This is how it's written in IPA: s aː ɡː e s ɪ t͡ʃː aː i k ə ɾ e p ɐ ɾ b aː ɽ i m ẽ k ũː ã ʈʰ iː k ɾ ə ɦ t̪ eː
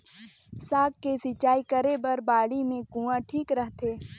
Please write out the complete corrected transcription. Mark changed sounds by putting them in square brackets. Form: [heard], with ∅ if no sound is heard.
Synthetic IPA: s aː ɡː e s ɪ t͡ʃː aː i k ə ɾ e [b] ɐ ɾ b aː ɽ i m ẽ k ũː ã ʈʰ iː k ɾ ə ɦ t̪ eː